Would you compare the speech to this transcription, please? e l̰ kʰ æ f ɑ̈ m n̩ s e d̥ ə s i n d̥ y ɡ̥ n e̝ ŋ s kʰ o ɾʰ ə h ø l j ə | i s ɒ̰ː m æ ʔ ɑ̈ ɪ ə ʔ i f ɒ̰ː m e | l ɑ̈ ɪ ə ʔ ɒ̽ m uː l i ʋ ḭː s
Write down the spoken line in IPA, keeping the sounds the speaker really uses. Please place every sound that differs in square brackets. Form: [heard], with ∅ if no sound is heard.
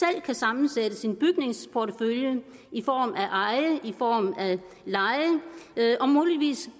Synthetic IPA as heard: e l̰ kʰ æ [s] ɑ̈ m n̩ s e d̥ ə s i n [b̥] y ɡ̥ n e̝ ŋ s [pʰ] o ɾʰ ə [f] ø l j ə | i [f] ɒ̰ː m æ ʔ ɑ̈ ɪ ə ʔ i f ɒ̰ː m [æ] | l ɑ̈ ɪ ə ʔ ɒ̽ m uː l i ʋ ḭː s